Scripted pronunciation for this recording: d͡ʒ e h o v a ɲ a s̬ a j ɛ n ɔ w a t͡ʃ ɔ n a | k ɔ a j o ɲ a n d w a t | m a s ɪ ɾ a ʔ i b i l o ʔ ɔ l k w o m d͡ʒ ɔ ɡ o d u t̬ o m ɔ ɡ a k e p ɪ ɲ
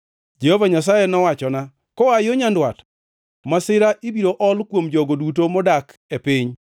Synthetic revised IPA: d͡ʒ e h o v a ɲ a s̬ a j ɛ n ɔ w a t͡ʃ ɔ n a | k ɔ a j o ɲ a n d w a t | m a s ɪ ɾ a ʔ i b i ɾ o ʔ ɔ l k w o m d͡ʒ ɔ ɡ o d u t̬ o m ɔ d a k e p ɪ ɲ